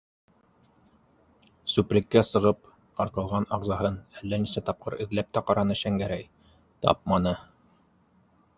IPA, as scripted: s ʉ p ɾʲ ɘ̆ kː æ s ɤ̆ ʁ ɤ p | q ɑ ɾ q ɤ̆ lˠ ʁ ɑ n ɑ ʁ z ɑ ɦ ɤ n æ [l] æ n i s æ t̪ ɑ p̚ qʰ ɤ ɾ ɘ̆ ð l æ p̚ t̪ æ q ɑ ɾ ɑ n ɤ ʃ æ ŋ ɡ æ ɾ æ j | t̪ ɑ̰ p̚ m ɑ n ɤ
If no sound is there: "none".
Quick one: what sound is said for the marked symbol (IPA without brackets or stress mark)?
lː